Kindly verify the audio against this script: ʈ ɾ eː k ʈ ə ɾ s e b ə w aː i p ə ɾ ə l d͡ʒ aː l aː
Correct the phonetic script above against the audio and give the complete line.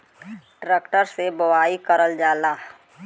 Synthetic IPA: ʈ ɾ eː k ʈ ə ɾ s e b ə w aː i k ə ɾ ə l d͡ʒ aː l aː